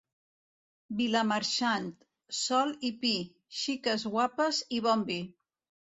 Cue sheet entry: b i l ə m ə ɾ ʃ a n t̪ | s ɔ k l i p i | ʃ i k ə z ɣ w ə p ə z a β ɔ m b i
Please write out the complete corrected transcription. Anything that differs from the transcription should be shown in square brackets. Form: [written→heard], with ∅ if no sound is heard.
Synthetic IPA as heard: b i l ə m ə ɾ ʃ a n t̪ | s ɔ [k→∅] l i p i | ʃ i k ə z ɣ w [ə→a] p ə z [a→i] β ɔ m b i